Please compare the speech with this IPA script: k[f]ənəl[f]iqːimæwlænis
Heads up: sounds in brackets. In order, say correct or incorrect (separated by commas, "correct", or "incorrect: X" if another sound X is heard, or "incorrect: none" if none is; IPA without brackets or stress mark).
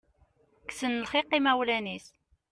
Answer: incorrect: s, incorrect: χ